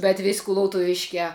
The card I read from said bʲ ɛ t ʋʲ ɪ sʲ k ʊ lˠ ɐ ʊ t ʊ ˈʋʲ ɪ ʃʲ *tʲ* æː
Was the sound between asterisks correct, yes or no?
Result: no